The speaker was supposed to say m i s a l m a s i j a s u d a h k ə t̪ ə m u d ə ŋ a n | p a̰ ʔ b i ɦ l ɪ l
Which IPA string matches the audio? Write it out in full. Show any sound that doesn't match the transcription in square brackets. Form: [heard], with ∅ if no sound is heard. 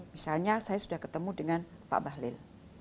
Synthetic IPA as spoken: m i s a l [ɲ] a s [a] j a s u d a h k ə t̪ ə m u d ə ŋ a n | p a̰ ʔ b [a] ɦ l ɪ l